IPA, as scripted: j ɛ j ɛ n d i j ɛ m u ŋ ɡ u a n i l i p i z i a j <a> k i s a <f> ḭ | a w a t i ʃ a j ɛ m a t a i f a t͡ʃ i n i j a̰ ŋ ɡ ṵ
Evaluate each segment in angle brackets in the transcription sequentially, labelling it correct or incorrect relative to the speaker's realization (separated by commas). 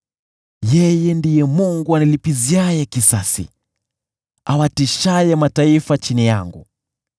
incorrect, incorrect